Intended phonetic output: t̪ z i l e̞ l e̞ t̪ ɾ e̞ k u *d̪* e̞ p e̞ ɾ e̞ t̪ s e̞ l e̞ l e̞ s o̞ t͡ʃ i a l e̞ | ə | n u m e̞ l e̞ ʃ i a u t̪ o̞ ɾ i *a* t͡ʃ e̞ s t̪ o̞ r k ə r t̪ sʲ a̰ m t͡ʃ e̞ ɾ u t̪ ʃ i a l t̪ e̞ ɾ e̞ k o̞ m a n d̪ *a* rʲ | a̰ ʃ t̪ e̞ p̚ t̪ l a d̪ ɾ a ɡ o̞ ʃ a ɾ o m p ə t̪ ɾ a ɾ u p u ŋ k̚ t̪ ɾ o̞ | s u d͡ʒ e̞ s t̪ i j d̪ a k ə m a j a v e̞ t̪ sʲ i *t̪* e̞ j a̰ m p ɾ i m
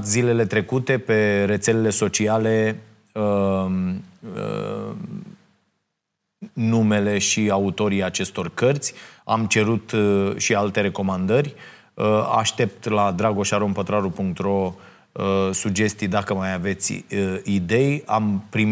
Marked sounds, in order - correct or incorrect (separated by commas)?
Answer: incorrect, correct, incorrect, incorrect